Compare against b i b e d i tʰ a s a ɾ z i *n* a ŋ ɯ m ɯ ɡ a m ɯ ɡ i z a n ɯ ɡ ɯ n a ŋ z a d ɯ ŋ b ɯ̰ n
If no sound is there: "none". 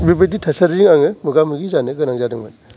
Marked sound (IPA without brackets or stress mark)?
ŋ